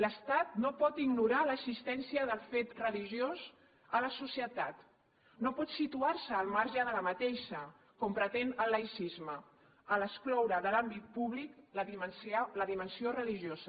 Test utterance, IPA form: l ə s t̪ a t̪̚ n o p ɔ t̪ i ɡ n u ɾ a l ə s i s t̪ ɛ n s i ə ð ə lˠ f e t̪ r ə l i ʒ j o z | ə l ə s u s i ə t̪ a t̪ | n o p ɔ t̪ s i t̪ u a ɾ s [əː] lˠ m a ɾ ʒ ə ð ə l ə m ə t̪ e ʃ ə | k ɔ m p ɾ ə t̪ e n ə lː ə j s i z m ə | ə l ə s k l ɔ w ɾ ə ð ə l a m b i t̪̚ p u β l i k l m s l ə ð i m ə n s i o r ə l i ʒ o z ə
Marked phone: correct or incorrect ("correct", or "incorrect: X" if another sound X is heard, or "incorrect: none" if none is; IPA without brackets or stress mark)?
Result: correct